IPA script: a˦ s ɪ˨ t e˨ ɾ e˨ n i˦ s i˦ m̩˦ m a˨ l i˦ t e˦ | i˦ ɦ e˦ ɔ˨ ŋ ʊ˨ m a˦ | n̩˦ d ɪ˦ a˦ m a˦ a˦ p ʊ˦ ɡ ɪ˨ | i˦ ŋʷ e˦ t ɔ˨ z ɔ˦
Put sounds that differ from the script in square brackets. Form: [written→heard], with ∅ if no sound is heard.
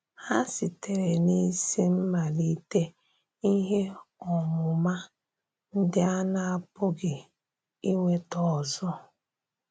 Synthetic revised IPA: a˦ s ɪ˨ t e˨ ɾ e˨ n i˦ s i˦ m̩˦ m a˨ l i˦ t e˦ | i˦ ɦ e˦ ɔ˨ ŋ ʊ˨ m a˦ | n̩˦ d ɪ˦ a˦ [m→n] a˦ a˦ p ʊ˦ ɡ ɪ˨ | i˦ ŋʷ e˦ t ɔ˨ z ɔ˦